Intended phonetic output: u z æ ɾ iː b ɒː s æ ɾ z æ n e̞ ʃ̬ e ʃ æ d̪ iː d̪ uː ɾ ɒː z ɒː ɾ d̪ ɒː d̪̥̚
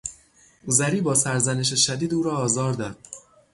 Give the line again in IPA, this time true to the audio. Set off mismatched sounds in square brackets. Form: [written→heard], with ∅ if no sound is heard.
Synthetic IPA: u z æ ɾ iː b ɒː s æ ɾ z æ n e̞ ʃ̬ e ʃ æ d̪ iː d̪ uː ɾ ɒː z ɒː ɾ d̪ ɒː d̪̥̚